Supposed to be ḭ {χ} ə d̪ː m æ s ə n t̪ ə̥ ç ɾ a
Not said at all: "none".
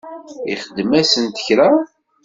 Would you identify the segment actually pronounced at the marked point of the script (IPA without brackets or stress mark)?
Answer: χ